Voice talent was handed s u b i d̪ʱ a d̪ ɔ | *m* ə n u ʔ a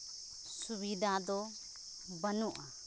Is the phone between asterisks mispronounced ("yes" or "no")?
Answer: yes